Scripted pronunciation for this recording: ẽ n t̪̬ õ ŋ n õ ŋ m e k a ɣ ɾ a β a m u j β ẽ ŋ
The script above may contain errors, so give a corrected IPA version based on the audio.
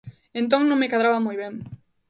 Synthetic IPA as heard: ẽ n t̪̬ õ ŋ n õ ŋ m e k a ð ɾ a β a m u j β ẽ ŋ